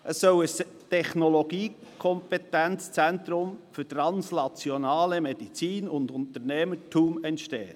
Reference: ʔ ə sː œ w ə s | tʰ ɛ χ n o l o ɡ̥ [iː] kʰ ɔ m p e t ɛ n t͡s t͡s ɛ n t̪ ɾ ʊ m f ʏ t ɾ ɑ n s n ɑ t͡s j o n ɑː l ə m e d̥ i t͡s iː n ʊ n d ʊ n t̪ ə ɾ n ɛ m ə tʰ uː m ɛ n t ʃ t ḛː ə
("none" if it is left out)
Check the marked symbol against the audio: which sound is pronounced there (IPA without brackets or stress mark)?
iː